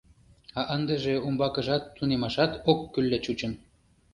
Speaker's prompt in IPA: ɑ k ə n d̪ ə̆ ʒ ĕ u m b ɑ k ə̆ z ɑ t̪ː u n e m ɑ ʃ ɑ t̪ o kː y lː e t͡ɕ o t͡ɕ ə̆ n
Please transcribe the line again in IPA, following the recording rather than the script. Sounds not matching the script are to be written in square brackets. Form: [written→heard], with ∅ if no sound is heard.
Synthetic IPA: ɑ [k→ʔ] ə n d̪ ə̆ ʒ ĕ u m b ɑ k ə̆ [z→ʒ] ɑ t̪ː u n e m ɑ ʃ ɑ t̪ o kː y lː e t͡ɕ [o→u] t͡ɕ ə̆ n

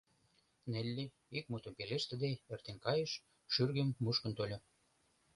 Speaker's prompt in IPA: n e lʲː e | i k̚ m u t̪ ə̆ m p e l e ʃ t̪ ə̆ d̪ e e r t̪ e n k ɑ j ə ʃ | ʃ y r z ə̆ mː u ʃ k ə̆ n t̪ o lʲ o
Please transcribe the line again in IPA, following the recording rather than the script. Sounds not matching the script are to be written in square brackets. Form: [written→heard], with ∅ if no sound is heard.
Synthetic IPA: n e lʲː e | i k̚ m u t̪ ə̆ m p e l e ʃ t̪ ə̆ d̪ e e r t̪ e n k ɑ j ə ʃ | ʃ y r [z→ɣ] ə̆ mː u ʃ k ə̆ n t̪ o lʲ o

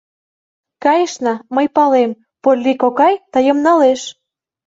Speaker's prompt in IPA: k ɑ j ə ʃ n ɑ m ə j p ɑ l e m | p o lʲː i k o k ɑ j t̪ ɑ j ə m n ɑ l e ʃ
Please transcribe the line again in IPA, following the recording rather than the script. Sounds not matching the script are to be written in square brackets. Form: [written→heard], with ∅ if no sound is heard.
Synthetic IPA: k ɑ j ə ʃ n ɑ m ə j p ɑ l e m | p o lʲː i k o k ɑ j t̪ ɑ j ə m n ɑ l e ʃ

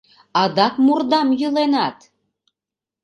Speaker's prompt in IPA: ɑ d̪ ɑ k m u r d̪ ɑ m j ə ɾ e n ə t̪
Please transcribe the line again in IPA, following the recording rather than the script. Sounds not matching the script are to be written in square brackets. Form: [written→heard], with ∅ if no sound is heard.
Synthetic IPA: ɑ d̪ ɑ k m u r d̪ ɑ m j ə [ɾ→l] e n [ə→ɑ] t̪

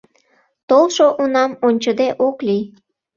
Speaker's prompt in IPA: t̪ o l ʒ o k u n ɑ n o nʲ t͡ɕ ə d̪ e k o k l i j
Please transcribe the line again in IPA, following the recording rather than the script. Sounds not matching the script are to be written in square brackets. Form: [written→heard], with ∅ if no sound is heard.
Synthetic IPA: t̪ o l [ʒ→ʃ] o [k→ʔ] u n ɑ [n→m] o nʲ t͡ɕ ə d̪ e [k→ʔ] o k l i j

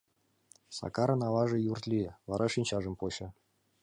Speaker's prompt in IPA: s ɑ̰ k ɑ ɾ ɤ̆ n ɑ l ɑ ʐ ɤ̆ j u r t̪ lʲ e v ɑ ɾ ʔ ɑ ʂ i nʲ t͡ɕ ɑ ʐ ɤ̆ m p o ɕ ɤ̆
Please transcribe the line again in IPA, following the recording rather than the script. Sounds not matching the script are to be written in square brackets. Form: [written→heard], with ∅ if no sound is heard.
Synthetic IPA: s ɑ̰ k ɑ ɾ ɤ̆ n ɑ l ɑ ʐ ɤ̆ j u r t̪ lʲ [e→i] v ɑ ɾ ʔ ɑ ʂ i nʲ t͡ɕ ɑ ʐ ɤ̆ m p o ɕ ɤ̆

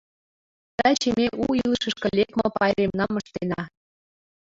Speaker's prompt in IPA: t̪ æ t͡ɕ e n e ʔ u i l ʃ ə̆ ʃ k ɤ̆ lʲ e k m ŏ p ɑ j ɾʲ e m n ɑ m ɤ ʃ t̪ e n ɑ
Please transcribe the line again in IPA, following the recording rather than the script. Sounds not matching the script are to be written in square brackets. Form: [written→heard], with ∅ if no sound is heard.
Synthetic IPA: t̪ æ t͡ɕ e [n→m] e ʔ u i l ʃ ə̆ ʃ k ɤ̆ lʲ e k m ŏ p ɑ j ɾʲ e m n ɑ m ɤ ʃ t̪ e n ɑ

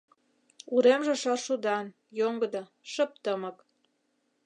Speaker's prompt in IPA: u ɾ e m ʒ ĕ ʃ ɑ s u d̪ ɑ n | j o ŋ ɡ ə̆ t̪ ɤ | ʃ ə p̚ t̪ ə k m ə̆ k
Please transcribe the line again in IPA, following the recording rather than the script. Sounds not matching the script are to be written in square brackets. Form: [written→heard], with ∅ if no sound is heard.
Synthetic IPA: u ɾ e m ʒ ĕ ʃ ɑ [s→ʃ] u d̪ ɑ n | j o ŋ ɡ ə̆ [t̪→d̪] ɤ | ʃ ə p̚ t̪ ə [k→∅] m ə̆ k

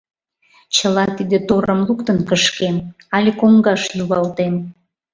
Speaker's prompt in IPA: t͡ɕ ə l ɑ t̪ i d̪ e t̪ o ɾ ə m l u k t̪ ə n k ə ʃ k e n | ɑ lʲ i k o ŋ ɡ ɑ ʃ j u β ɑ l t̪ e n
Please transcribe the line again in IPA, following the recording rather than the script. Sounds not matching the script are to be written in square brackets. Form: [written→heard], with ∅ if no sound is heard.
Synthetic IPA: t͡ɕ ə l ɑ t̪ i d̪ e t̪ o ɾ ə m l u k t̪ ə n k ə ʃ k e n | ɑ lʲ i k o ŋ ɡ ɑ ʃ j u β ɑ l t̪ e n

